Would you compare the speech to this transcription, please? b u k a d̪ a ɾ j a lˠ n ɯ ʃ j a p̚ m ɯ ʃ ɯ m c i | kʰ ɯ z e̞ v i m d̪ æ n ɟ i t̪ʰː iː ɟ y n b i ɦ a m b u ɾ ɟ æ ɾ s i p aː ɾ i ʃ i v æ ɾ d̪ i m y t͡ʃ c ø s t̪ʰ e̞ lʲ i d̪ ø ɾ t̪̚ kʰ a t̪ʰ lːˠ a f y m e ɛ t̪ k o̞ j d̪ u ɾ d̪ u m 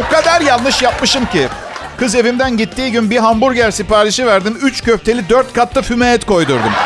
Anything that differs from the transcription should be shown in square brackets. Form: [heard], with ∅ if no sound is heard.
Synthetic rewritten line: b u k a d̪ a ɾ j a lˠ n ɯ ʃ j a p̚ m ɯ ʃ ɯ m c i | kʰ ɯ z e̞ v i m d̪ æ n ɟ i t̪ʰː iː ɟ y n b i ɦ a m b u ɾ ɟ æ ɾ s i p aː ɾ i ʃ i v æ ɾ d̪ i m y t͡ʃ c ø [f] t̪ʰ e̞ lʲ i d̪ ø ɾ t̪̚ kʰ a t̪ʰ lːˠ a f y m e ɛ t̪ k o̞ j d̪ u ɾ d̪ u m